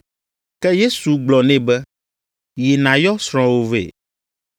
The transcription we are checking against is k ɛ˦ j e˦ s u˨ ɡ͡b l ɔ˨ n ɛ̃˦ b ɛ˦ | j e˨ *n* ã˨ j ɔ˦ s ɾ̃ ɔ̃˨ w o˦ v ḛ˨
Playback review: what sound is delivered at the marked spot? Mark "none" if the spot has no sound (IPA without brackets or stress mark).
n